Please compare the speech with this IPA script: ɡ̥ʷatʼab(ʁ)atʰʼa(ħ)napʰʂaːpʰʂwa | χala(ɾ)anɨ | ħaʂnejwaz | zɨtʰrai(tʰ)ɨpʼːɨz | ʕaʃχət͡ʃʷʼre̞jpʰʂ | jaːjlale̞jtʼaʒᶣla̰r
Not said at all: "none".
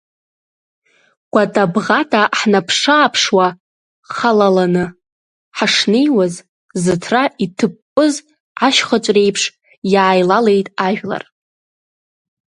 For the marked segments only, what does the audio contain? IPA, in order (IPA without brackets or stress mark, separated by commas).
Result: ʁ, ħ, l, tʰ